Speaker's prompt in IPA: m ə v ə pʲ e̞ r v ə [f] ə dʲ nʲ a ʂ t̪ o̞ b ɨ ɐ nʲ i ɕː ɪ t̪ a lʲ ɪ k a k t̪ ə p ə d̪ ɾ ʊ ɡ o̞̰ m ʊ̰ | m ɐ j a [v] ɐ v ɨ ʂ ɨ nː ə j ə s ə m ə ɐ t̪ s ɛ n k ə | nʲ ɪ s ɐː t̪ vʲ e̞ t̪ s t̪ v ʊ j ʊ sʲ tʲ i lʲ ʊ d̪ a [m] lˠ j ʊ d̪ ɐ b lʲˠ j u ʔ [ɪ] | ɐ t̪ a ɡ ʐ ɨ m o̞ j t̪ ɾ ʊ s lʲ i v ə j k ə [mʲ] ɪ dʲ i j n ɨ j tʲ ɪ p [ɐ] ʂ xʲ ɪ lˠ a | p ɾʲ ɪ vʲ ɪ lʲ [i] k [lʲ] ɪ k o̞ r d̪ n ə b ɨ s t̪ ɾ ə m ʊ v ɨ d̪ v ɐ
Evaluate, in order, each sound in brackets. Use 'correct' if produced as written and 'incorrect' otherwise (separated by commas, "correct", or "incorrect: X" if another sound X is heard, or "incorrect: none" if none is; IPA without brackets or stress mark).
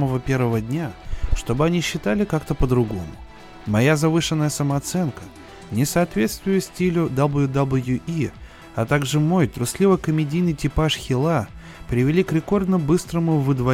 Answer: incorrect: v, incorrect: z, incorrect: b, incorrect: i, correct, incorrect: a, correct, incorrect: ɾʲ